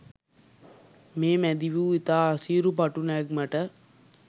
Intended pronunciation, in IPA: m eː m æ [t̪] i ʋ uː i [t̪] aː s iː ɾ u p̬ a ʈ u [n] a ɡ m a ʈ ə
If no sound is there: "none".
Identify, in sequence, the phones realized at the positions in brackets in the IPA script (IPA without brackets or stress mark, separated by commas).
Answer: d̪, t̪, n